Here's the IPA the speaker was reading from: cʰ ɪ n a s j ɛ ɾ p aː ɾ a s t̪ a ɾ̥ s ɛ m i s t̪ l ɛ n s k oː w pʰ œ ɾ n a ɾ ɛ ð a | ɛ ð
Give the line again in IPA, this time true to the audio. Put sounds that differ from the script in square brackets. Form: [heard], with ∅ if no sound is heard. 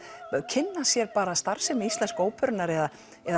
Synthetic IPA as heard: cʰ ɪ [nː] a s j ɛ ɾ p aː ɾ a s t̪ a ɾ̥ s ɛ m i s t̪ l ɛ n s k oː w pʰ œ ɾ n a ɾ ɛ ð a | ɛ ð